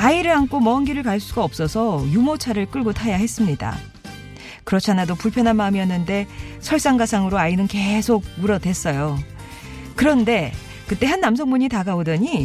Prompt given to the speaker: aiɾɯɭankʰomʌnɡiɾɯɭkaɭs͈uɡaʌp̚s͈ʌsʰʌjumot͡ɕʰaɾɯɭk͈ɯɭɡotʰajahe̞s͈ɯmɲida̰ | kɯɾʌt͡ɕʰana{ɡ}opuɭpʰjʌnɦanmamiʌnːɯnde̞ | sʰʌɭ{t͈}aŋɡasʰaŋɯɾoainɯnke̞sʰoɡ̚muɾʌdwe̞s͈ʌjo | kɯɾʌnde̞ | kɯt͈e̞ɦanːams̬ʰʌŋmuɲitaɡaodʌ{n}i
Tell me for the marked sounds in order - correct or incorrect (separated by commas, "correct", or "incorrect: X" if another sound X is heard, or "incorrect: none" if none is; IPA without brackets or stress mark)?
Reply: incorrect: d, incorrect: s͈, incorrect: ɲ